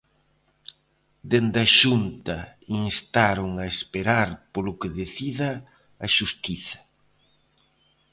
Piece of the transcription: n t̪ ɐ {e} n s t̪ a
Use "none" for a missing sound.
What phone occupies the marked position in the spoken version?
i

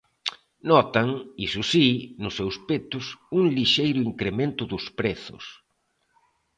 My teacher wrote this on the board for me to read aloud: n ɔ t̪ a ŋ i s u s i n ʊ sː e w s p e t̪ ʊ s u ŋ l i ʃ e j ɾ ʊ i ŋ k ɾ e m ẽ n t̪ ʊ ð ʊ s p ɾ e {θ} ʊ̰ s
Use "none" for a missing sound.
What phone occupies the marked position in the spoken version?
θ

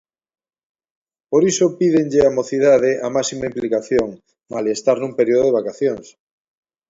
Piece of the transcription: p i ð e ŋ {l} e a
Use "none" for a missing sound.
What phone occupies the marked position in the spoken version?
ʎ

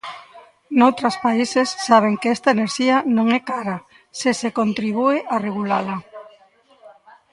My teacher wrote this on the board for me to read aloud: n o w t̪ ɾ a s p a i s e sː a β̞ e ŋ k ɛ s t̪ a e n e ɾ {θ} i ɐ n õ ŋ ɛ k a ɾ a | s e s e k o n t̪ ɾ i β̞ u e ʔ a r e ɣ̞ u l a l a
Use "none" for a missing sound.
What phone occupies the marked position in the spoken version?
ʃ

